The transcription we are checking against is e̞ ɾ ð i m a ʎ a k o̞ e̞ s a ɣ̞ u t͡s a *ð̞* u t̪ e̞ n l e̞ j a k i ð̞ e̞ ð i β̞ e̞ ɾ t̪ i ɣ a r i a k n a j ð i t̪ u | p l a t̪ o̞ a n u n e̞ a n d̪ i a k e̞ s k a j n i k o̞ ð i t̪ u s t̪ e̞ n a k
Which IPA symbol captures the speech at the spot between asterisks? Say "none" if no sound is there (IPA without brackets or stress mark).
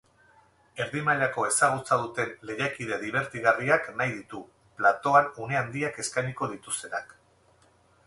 ð̞